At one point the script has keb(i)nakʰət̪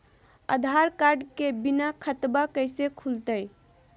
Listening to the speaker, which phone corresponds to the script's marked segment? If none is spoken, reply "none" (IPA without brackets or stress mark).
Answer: i